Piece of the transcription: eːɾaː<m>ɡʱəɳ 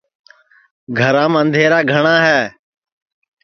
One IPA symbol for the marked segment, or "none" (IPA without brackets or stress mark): none